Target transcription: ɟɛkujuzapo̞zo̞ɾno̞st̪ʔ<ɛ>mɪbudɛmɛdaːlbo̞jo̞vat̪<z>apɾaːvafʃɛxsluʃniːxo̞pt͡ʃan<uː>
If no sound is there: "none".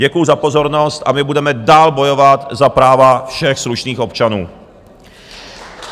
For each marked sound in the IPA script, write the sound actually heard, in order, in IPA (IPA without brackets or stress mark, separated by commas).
a, z, uː